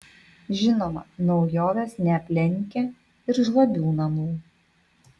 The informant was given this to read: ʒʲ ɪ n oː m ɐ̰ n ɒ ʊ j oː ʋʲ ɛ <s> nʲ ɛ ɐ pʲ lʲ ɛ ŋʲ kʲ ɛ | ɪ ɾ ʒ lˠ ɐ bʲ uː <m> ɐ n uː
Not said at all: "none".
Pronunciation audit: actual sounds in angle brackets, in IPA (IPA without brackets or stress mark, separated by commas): s, n